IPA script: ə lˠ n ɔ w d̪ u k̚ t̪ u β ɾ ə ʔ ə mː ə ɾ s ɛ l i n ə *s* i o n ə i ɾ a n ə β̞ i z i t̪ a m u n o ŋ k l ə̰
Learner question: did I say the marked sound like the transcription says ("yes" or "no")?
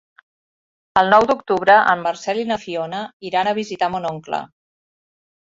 no